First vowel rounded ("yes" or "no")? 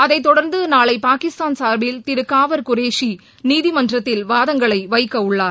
no